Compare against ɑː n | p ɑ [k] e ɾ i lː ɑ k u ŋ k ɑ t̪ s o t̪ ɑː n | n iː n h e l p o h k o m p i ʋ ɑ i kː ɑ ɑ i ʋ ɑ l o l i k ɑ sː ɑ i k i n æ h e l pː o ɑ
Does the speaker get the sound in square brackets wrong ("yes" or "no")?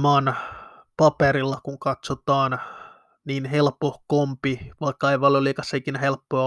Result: yes